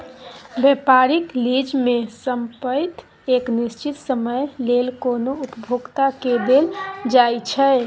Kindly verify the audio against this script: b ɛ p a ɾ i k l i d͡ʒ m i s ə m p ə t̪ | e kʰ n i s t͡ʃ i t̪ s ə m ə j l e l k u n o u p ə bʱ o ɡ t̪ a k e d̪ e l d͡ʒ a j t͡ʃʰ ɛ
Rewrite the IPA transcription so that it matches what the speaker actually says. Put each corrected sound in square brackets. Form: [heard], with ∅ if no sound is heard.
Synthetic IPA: b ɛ p a ɾ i k l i d͡ʒ m [e] s ə m p ə t̪ | e [k] n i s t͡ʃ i t̪ s ə m ə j l e l k [o] n o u p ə bʱ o ɡ t̪ a k e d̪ e l d͡ʒ a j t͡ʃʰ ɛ